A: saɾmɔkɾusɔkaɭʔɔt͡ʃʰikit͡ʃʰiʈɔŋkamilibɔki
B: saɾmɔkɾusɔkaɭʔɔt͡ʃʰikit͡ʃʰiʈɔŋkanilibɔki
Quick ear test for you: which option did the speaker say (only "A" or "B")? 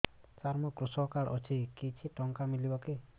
A